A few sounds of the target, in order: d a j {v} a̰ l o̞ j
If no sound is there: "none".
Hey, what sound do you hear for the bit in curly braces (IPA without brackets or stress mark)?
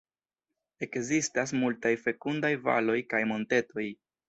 v